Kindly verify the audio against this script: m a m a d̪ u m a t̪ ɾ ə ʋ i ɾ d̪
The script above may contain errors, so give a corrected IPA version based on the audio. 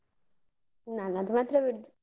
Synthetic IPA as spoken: n a n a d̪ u m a t̪ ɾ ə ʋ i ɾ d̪